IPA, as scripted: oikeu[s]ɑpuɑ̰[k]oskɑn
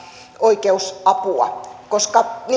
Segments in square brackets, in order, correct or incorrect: correct, correct

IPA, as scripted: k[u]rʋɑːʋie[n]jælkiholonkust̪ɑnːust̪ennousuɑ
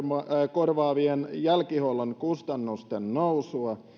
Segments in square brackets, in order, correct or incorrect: incorrect: o, correct

